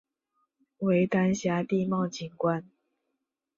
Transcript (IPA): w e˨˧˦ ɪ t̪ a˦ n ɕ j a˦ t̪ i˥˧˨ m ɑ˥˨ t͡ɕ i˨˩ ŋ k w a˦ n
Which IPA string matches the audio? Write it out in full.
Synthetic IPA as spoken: w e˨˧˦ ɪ t̪ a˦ n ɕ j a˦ t̪ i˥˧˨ m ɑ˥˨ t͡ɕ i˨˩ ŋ k w a˦ n